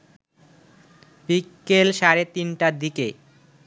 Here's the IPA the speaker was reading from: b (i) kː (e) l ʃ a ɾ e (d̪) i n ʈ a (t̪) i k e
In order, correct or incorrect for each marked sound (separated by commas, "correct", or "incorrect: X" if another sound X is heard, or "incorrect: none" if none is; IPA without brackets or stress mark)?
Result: correct, correct, incorrect: t̪, incorrect: d̪